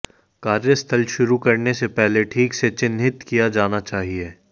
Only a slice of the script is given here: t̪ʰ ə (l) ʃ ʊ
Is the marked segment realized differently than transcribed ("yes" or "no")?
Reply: no